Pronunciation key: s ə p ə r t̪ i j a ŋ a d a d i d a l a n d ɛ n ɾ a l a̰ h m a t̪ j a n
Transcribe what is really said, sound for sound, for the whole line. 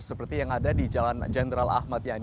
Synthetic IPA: s ə p ə r t̪ i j a ŋ a d a d i d͡ʒ a l a n d͡ʒ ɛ n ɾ a l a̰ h m a t̪ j a n